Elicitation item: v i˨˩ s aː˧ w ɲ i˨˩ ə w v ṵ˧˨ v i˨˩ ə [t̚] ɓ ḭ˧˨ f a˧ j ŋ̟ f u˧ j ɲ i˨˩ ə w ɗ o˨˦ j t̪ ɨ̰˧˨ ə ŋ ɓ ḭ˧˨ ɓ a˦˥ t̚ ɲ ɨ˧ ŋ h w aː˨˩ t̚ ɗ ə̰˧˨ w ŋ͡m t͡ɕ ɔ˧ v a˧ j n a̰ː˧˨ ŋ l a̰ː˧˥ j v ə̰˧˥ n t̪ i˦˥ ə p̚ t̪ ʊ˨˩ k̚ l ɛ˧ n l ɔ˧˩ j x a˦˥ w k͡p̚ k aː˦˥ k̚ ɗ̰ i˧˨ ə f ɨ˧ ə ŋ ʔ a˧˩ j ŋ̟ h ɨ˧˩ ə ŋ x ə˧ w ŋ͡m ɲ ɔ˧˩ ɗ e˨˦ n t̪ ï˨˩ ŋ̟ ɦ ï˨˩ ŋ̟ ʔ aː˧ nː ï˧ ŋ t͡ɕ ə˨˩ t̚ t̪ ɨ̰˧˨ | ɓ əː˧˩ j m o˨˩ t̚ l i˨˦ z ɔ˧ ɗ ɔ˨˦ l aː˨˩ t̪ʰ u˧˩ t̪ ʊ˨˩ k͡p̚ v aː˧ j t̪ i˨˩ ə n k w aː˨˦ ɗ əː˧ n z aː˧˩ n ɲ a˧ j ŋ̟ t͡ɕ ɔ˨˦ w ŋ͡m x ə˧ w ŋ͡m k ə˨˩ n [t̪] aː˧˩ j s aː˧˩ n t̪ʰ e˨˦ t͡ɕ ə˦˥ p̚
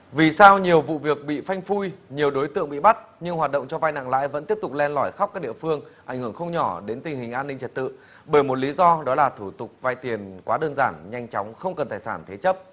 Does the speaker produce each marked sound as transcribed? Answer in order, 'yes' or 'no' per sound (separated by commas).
no, yes